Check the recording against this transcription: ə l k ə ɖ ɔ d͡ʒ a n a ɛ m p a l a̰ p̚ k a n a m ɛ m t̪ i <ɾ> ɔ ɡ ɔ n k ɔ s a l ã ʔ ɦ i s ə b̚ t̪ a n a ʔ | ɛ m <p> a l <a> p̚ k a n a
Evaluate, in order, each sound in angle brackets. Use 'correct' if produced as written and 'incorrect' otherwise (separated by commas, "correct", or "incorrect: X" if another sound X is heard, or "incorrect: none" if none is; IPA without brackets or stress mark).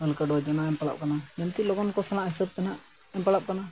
incorrect: l, correct, correct